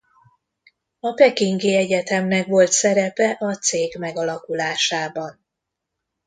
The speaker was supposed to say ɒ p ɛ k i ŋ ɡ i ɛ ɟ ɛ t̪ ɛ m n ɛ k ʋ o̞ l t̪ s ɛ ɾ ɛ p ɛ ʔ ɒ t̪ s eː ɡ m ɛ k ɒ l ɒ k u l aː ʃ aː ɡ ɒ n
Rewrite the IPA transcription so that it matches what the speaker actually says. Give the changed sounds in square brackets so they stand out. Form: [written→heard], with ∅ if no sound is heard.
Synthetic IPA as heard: ɒ p ɛ k i ŋ ɡ i ɛ ɟ ɛ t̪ ɛ m n ɛ k ʋ o̞ l t̪ s ɛ ɾ ɛ p ɛ ʔ ɒ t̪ s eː ɡ m ɛ [k→ɡ] ɒ l ɒ k u l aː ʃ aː [ɡ→b] ɒ n

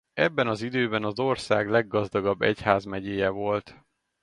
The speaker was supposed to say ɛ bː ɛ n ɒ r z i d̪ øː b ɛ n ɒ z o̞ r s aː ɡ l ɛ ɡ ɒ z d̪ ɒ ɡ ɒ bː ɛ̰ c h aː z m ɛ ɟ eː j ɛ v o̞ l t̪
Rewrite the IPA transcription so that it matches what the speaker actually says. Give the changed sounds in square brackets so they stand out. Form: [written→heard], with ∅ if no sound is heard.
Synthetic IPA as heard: ɛ bː ɛ n ɒ [r→∅] z i d̪ øː b ɛ n ɒ z o̞ r s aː ɡ l ɛ [ɡ→ɡː] ɒ z d̪ ɒ ɡ ɒ bː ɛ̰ c h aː z m ɛ ɟ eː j ɛ v o̞ l t̪

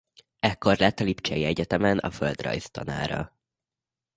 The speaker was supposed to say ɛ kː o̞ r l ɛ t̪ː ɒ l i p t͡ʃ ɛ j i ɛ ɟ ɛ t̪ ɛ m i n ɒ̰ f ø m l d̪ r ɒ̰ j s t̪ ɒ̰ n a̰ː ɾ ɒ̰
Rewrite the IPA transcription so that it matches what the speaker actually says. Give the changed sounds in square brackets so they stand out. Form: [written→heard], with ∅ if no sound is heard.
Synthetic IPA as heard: ɛ kː o̞ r l ɛ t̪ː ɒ l i p t͡ʃ ɛ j i ɛ ɟ ɛ t̪ ɛ m [i→ɛ] n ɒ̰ f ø [m→∅] l d̪ r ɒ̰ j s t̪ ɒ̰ n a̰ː ɾ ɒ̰

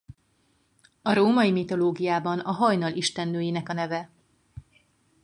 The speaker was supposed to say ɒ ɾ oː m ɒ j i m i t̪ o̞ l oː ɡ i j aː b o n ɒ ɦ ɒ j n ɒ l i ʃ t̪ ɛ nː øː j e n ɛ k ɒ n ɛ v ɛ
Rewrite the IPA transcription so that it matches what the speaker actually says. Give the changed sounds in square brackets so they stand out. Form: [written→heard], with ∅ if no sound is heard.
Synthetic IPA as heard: ɒ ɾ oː m ɒ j i m i t̪ o̞ l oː ɡ i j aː b [o→ɒ] n ɒ ɦ ɒ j n ɒ l i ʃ t̪ ɛ nː øː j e n ɛ k ɒ n ɛ v ɛ

